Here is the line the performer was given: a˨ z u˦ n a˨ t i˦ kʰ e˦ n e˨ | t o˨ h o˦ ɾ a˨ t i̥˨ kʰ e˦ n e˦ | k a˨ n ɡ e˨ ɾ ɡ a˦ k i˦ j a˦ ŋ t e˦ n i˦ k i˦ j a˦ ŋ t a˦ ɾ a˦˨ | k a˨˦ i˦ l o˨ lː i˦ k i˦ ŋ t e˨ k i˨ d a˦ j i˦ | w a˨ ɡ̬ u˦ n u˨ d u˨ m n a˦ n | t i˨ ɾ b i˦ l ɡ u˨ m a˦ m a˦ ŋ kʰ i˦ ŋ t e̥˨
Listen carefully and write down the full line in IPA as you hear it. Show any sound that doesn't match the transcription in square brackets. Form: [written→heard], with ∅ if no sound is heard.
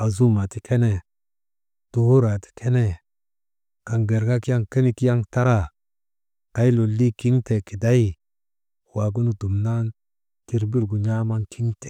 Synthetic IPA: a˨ z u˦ [n→m] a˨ t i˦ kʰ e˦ n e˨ | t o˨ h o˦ ɾ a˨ t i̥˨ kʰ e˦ n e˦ | k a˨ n ɡ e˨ ɾ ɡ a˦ k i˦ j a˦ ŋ [t→k] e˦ n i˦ k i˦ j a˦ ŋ t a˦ ɾ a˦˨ | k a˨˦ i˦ l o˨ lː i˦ k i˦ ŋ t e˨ k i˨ d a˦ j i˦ | w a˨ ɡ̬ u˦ n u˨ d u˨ m n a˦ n | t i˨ ɾ b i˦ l ɡ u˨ [m→ɲ] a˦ m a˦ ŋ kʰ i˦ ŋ t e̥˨